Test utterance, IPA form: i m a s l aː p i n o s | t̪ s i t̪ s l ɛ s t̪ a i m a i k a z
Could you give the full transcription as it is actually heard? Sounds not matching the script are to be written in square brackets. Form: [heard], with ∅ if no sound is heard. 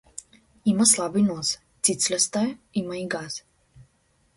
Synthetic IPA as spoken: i m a s l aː [b] i n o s | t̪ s i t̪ s l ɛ s t̪ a i m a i [ɡ] a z